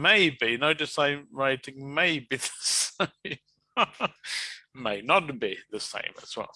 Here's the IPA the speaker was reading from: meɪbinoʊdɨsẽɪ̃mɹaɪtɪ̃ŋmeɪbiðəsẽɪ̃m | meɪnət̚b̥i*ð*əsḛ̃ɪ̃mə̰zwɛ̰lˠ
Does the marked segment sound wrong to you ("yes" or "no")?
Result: no